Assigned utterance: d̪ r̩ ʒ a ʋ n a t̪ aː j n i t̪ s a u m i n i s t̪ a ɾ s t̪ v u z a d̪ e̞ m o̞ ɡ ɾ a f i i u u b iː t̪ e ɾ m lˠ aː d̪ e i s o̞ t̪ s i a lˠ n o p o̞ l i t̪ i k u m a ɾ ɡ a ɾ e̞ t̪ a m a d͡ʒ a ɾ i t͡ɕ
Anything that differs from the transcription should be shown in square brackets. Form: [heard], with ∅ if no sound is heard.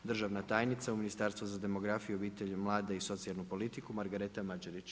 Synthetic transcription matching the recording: d̪ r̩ ʒ a ʋ n a t̪ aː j n i t̪ s a u m i n i s t̪ a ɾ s t̪ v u z a d̪ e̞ m o̞ ɡ ɾ a f i [j] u [o] b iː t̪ e [ʎ] m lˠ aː d̪ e i s o̞ t̪ s i a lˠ n [u] p o̞ l i t̪ i k u m a ɾ ɡ a ɾ e̞ t̪ a m a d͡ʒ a ɾ i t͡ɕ